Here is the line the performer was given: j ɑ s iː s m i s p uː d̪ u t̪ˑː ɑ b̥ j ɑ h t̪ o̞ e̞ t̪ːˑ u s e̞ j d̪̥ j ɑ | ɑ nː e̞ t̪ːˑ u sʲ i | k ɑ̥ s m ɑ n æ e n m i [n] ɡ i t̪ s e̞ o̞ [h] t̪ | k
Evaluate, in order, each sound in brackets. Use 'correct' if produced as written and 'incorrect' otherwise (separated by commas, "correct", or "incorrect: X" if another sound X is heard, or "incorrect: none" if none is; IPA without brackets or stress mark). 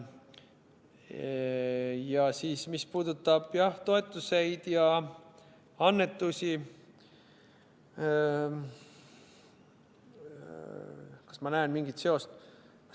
incorrect: ŋ, incorrect: s